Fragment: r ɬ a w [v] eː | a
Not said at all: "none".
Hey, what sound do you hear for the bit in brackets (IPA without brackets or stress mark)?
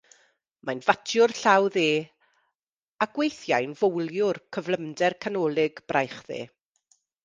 ð